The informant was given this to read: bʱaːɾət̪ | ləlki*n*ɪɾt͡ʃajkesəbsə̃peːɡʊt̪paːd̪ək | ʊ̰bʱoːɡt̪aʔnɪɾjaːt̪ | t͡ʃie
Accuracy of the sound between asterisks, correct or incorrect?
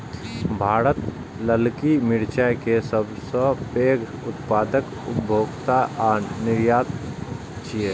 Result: incorrect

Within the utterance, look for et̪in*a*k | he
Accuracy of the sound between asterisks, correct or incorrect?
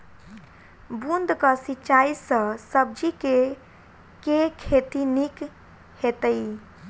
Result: incorrect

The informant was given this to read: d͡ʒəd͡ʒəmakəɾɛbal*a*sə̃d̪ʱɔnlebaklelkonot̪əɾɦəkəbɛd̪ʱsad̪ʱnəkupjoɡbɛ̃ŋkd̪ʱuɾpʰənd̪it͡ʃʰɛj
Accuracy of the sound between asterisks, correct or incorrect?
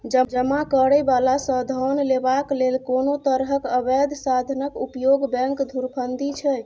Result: correct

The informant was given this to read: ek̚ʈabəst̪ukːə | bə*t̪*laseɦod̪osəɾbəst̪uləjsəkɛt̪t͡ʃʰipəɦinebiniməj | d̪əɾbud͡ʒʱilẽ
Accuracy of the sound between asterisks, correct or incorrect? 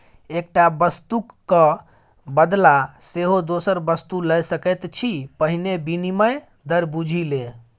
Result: incorrect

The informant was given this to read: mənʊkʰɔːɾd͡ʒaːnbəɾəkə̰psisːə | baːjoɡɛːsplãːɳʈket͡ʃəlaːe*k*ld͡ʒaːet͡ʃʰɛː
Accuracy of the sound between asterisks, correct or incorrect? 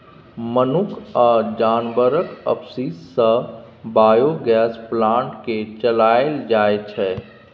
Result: incorrect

